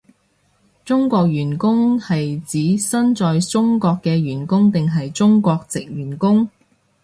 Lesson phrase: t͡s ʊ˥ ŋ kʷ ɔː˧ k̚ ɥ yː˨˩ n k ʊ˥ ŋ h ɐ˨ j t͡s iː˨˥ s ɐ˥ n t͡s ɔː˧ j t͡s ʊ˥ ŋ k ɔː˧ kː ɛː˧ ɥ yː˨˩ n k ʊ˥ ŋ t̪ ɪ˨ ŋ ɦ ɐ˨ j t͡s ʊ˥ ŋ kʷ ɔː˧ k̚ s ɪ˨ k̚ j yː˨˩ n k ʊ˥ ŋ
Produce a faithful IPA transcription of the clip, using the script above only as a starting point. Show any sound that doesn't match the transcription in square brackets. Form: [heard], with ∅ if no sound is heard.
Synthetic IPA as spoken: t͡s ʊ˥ ŋ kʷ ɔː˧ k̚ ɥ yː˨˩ n k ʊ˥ ŋ h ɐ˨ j t͡s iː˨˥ s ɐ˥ n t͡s ɔː˧ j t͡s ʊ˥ ŋ k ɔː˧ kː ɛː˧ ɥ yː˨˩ n k ʊ˥ ŋ t̪ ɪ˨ ŋ ɦ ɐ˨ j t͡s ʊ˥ ŋ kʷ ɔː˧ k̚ [t͡s] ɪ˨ k̚ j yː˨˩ n k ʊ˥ ŋ